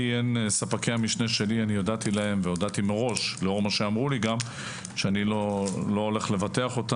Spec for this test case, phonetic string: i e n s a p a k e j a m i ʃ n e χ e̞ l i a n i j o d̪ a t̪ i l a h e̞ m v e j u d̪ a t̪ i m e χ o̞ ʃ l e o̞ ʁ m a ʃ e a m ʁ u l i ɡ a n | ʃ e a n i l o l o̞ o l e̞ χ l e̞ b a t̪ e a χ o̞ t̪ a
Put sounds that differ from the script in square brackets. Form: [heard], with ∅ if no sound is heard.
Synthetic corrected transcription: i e n s a p a k e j a m i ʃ n e [ʃ] e̞ l i a n i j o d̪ a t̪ i l a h e̞ m v e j [o] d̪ a t̪ i m e [ʁ] o̞ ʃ l e o̞ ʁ m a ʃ e a m ʁ u l i ɡ a [m] | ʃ e a n i l o l o̞ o l e̞ χ l e̞ [v] a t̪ e a χ o̞ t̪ a